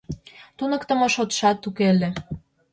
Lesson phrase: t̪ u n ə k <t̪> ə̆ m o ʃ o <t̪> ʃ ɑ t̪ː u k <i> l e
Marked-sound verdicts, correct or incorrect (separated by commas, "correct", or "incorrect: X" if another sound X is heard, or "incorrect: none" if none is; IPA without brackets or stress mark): correct, correct, incorrect: e